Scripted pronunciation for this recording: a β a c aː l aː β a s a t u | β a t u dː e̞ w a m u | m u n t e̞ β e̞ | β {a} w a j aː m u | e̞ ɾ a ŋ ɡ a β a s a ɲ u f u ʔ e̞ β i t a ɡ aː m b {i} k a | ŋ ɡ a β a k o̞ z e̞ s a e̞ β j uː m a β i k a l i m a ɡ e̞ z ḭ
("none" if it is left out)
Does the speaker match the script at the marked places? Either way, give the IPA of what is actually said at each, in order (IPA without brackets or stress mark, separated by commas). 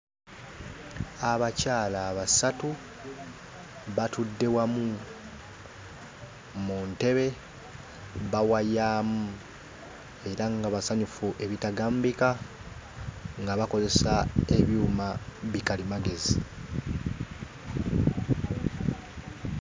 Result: a, i